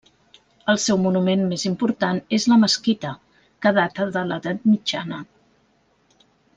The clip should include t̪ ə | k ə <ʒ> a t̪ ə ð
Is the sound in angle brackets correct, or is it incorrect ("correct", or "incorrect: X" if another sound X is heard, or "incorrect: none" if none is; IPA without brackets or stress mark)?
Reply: incorrect: ð